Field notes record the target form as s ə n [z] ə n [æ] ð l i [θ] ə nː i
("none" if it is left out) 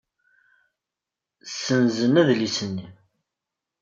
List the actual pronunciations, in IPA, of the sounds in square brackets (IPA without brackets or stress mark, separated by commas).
z, æ, s